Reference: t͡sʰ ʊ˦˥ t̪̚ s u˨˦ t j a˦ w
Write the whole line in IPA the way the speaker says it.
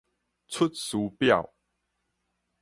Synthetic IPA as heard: t͡sʰ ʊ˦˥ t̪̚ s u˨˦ p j a˥˨ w